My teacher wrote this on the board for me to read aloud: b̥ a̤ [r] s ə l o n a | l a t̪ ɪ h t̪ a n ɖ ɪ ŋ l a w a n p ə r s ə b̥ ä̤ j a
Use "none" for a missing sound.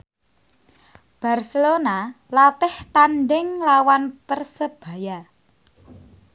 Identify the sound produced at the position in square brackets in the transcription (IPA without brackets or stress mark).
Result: r